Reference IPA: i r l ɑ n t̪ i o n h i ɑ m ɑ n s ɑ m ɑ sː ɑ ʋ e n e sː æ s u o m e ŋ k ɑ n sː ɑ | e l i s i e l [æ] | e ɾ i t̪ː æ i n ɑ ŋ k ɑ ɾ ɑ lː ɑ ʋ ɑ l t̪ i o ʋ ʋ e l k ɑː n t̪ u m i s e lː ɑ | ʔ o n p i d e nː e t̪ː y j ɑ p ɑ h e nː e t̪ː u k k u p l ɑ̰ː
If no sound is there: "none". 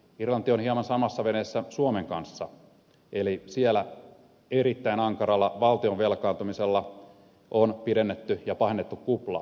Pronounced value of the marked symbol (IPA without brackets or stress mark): æ